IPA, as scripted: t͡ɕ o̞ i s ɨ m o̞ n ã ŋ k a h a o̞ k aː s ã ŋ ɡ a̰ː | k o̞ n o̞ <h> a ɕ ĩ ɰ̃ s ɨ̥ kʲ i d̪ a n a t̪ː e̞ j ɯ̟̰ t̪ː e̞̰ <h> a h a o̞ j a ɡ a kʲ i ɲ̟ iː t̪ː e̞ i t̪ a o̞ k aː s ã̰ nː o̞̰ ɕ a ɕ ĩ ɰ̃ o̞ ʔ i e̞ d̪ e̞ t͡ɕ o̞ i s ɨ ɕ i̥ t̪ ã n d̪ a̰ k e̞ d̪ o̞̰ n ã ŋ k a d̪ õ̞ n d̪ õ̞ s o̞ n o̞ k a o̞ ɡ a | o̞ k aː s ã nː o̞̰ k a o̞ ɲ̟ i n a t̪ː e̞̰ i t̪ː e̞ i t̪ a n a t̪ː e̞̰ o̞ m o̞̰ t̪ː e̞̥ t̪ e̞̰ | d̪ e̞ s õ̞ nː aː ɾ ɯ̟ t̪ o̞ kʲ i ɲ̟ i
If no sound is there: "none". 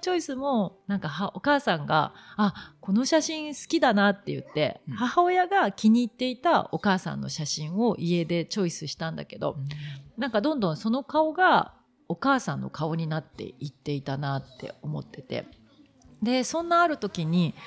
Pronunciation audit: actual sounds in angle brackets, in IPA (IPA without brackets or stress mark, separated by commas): ɕ, h